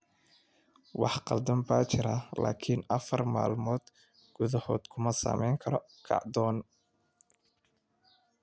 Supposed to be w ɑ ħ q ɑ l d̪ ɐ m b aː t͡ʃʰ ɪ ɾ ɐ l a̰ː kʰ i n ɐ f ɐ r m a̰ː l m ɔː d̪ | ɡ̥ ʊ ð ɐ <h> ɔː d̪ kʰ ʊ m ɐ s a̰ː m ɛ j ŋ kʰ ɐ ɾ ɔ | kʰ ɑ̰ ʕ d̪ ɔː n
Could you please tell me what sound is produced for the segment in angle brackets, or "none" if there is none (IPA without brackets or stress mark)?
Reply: h